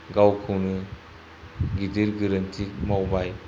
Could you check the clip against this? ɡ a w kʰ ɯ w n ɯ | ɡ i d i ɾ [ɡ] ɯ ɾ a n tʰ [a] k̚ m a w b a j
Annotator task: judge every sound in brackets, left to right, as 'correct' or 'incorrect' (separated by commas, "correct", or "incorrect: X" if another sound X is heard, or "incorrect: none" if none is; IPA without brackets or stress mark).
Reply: correct, incorrect: i